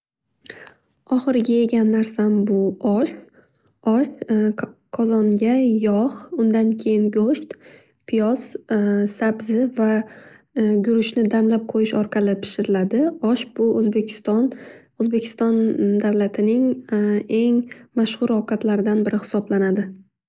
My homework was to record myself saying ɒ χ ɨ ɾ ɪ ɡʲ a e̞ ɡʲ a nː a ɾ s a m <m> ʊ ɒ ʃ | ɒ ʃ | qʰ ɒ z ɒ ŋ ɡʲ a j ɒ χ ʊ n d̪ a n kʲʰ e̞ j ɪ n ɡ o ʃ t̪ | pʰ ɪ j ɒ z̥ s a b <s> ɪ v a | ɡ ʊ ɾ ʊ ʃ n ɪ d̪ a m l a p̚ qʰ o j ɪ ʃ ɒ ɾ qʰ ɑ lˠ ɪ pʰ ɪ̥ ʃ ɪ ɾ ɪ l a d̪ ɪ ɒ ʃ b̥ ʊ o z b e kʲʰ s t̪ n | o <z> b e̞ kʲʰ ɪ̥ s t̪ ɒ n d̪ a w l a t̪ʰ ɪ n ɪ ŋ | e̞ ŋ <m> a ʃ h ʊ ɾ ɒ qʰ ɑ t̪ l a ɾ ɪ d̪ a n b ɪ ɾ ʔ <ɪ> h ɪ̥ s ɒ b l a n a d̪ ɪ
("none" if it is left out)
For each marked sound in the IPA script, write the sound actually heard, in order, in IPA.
b, z, z, m, ɪ

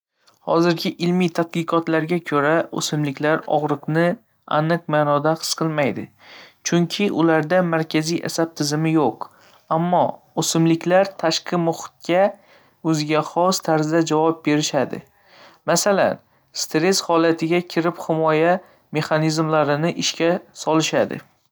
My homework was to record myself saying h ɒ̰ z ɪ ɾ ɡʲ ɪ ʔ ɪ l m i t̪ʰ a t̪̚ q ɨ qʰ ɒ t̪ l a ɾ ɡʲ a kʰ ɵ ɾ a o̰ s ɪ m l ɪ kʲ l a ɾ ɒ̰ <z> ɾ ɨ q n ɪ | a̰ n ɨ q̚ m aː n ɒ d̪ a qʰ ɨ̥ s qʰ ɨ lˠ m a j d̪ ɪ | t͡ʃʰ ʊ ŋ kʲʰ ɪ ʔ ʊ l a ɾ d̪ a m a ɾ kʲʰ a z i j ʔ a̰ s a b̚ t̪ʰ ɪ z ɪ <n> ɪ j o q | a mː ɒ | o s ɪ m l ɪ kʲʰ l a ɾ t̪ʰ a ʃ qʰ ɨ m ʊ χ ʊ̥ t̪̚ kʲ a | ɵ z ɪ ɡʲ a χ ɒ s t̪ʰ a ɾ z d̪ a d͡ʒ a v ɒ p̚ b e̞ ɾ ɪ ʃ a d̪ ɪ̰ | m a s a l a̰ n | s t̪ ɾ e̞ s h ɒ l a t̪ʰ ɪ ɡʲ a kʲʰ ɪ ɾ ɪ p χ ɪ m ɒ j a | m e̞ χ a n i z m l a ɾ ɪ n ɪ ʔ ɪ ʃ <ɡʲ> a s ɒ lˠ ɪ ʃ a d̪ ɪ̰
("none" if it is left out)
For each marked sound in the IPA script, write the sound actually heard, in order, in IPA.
ʁ, m, kʲ

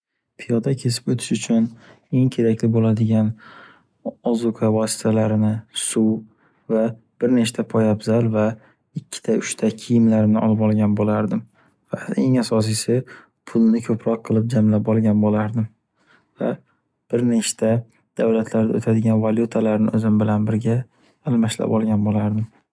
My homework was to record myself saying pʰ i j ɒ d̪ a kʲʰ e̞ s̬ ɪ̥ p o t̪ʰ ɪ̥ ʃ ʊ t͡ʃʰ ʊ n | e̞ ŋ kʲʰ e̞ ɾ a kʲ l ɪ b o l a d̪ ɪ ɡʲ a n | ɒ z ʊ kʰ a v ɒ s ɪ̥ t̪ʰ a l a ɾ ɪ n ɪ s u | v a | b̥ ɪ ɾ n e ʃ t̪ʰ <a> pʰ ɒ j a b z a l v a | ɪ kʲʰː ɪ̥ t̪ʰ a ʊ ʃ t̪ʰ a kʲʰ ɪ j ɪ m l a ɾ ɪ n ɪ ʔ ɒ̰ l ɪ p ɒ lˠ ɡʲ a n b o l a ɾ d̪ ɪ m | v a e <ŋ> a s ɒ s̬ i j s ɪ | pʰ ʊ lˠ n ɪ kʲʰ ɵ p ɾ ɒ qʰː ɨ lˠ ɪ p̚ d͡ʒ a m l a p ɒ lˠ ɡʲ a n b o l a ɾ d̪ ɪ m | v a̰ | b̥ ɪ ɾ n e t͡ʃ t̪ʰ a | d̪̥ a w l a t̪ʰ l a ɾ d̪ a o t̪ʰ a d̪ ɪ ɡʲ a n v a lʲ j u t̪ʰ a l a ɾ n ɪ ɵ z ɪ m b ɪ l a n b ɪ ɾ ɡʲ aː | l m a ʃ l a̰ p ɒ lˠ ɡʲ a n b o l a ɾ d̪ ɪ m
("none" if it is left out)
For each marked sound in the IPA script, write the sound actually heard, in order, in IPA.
a, ŋ

